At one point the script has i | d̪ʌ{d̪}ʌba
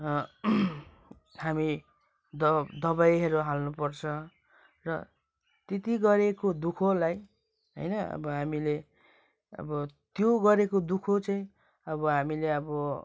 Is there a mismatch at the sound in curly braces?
no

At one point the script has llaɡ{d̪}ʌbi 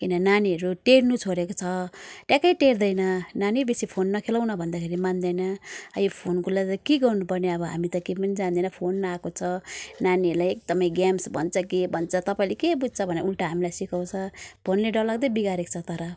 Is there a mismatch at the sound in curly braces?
no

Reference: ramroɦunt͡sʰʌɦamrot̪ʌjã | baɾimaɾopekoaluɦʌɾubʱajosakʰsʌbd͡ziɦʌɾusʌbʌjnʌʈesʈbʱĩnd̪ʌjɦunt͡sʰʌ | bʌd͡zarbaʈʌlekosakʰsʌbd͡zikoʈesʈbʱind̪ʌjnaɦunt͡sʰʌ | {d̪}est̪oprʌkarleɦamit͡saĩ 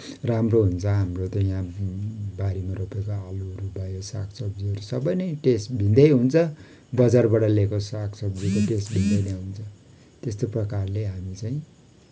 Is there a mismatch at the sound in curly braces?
yes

